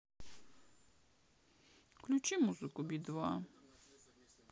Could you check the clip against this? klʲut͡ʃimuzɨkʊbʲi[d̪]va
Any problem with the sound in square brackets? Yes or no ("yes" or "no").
no